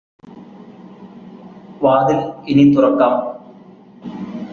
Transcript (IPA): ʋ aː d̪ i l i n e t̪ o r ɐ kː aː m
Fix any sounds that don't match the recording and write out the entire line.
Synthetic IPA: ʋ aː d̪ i l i n i t̪ u r ɐ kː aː m